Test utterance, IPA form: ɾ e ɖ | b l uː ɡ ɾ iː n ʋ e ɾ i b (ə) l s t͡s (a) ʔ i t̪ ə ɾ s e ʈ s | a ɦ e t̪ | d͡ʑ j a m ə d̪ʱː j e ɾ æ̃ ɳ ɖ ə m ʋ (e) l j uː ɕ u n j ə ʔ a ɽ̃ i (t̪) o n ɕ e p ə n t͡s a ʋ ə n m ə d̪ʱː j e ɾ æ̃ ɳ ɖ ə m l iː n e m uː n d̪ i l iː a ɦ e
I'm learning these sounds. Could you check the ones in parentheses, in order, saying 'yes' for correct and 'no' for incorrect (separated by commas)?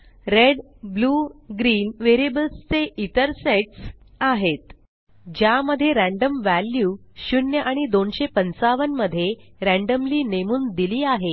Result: yes, no, no, no